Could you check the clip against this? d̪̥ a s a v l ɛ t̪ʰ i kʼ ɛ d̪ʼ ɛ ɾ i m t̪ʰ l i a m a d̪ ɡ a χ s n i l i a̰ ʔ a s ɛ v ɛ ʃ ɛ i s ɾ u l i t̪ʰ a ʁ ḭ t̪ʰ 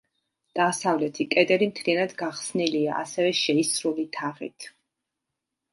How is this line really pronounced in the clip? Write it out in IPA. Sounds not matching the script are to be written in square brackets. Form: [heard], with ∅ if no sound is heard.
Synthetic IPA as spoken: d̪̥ a s a v l ɛ t̪ʰ i kʼ ɛ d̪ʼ ɛ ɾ i m t̪ʰ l i a [n] a d̪ ɡ a χ s n i l i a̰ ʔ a s ɛ v ɛ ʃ ɛ i s ɾ u l i t̪ʰ a ʁ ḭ t̪ʰ